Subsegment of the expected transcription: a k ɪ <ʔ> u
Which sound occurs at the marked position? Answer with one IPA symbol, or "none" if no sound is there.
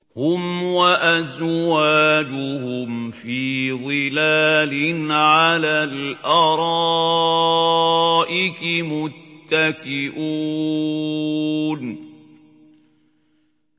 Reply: ʔ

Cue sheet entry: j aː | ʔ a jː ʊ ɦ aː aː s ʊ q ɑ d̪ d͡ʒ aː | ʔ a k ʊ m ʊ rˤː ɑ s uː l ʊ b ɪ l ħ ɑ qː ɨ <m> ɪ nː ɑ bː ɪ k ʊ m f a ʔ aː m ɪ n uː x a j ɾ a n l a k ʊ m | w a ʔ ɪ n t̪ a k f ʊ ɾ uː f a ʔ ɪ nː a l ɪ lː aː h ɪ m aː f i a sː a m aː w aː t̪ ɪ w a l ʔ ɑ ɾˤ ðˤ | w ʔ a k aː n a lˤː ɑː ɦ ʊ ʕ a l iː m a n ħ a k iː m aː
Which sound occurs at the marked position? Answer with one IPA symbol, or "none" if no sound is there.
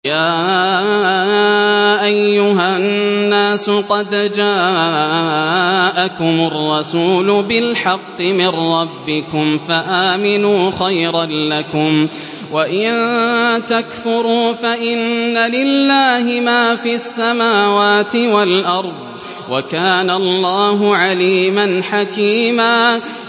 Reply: m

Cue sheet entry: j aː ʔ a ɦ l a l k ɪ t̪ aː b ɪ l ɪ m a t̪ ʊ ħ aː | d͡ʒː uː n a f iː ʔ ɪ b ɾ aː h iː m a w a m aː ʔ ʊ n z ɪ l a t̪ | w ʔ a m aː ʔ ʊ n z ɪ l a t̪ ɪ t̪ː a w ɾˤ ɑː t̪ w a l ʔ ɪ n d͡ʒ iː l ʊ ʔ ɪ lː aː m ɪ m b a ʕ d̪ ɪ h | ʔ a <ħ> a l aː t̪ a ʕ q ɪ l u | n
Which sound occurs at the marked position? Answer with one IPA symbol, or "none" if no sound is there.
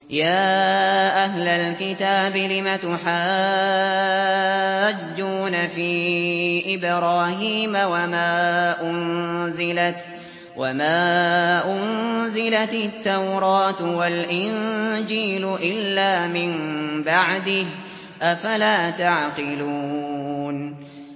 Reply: f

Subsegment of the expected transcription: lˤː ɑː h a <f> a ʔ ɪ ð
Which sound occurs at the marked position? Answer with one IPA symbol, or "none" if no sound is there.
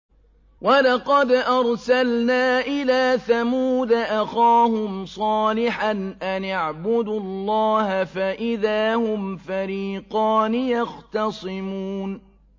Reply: f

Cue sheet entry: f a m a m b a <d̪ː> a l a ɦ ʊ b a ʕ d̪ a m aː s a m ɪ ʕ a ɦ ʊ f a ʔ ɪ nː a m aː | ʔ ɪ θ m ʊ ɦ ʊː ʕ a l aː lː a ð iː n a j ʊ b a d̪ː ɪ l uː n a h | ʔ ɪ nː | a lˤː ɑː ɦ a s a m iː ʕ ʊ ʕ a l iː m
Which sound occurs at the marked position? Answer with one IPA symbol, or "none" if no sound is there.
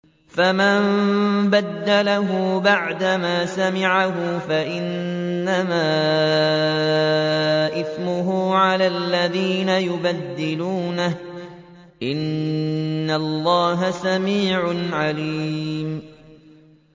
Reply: d̪ː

